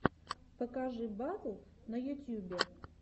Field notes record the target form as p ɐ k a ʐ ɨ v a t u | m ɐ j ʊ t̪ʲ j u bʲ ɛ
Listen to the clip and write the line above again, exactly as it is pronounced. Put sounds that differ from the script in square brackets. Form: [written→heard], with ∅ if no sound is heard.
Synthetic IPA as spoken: p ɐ k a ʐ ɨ [v→b] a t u | [m→n] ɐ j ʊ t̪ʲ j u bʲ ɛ